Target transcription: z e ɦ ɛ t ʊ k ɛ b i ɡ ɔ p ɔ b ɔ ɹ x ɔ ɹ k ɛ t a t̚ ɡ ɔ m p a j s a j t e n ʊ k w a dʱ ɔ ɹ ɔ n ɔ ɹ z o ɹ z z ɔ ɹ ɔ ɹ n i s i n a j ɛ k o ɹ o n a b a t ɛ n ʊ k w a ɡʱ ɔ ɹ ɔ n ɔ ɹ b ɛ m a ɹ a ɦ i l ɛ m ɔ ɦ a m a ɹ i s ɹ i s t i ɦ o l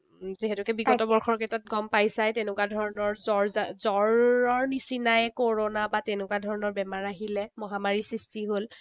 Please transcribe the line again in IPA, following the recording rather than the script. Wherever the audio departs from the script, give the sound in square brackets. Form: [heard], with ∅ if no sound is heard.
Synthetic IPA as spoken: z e ɦ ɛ t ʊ k ɛ b i ɡ ɔ [t] ɔ b ɔ ɹ x ɔ ɹ k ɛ t a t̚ ɡ ɔ m p a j s a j t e n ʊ k w a dʱ ɔ ɹ ɔ n ɔ ɹ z [ɔ] ɹ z z ɔ ɹ ɔ ɹ n i s i n a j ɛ k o ɹ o n a b a t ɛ n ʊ k w a [dʱ] ɔ ɹ ɔ n ɔ ɹ b ɛ m a ɹ a ɦ i l ɛ m ɔ ɦ a m a ɹ i s ɹ i s t i ɦ o l